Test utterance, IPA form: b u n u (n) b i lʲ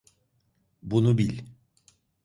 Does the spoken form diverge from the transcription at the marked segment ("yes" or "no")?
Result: yes